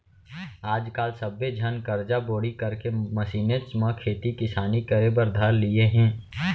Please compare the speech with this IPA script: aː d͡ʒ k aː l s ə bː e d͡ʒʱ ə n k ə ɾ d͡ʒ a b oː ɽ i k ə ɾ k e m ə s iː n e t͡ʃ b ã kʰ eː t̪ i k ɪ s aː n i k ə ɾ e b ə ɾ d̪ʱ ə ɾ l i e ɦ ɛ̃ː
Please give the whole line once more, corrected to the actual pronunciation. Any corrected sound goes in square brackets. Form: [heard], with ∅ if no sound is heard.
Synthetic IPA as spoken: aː d͡ʒ k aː l s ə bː e d͡ʒʱ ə n k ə ɾ d͡ʒ a b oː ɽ i k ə ɾ k e m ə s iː n e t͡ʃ [m] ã kʰ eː t̪ i k ɪ s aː n i k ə ɾ e b ə ɾ d̪ʱ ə ɾ l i e ɦ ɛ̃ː